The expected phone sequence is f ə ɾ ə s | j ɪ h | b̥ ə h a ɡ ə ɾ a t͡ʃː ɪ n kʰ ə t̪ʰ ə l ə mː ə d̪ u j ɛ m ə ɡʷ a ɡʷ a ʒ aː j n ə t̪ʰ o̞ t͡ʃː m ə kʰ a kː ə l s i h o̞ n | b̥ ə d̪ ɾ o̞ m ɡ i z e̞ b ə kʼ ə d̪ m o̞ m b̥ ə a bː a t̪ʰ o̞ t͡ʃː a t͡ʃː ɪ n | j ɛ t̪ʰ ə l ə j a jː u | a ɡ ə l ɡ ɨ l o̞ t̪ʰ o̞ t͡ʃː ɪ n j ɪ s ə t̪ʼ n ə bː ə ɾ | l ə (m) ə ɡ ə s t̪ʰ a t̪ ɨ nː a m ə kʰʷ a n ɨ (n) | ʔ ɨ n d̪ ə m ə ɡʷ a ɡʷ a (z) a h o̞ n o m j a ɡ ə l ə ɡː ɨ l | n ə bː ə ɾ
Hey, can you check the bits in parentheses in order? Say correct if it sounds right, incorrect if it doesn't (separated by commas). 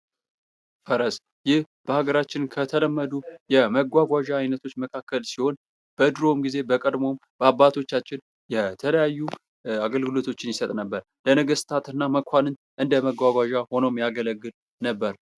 incorrect, correct, incorrect